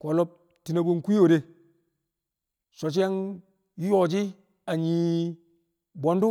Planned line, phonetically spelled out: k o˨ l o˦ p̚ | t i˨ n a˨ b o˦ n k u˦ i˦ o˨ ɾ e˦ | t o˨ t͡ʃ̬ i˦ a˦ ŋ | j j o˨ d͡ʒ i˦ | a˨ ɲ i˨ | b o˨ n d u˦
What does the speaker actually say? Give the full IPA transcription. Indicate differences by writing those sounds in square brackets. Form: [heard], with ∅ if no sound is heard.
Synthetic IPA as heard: k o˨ l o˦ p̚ | t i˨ n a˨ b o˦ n k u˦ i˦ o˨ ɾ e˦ | [s] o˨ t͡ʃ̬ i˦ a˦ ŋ | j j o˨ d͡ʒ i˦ | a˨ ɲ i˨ | b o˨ n d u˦